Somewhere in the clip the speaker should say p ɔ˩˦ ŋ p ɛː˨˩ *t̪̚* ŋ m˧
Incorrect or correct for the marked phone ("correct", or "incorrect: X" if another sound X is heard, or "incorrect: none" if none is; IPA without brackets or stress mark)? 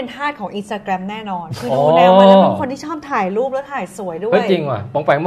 incorrect: none